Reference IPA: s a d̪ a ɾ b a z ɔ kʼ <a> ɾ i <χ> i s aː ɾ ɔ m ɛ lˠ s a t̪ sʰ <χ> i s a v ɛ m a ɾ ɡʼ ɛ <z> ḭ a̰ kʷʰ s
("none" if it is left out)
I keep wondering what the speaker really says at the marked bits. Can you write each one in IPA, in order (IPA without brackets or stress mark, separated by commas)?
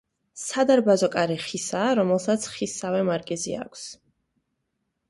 a, χ, χ, z